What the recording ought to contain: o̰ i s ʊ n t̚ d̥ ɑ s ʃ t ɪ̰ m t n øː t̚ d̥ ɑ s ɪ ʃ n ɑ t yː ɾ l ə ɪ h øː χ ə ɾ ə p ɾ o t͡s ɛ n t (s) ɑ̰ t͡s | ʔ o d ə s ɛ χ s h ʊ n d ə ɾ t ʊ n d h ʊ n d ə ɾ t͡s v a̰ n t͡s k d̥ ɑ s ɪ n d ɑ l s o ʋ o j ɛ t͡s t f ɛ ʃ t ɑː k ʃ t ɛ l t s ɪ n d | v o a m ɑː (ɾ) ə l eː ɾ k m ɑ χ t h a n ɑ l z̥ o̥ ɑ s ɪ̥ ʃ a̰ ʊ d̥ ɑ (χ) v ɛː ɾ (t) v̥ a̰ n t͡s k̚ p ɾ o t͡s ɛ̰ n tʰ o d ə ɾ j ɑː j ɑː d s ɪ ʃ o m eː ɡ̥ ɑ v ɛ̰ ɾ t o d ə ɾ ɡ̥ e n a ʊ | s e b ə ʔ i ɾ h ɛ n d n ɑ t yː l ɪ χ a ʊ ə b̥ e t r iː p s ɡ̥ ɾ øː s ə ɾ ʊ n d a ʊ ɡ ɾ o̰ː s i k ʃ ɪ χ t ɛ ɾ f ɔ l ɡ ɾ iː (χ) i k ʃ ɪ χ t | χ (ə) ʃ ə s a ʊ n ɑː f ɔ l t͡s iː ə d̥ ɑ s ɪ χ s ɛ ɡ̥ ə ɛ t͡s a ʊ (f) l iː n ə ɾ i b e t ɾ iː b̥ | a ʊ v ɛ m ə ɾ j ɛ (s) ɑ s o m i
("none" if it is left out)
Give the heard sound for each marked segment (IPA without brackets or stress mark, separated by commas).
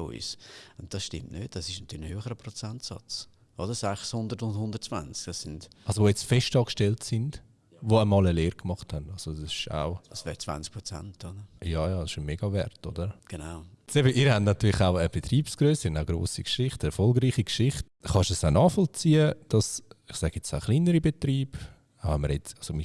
s, l, s, t͡s, χ, ɑ, χ, t͡s